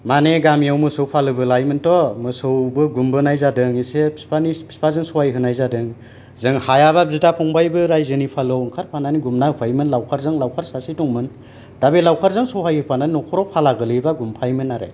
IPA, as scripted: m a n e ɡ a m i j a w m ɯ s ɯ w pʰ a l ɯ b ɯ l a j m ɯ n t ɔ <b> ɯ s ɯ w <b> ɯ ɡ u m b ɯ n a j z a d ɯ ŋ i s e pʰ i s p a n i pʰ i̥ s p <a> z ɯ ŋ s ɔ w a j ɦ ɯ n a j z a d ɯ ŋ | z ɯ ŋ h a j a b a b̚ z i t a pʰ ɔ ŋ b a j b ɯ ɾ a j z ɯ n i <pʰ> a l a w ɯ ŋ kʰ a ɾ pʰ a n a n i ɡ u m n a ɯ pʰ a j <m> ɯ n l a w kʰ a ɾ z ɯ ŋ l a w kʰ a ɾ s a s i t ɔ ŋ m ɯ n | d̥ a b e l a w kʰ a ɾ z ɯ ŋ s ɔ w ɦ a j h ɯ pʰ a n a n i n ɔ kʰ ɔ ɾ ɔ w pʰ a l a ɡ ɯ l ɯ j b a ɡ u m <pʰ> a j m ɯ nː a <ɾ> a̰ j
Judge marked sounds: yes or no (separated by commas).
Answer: no, yes, yes, yes, yes, yes, yes